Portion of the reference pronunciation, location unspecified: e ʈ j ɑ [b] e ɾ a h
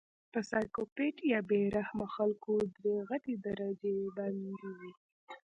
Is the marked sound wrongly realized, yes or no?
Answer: no